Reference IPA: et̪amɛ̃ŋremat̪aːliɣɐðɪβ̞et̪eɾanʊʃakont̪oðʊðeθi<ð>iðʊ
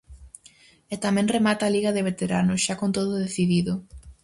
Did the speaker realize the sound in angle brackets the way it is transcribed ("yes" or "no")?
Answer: yes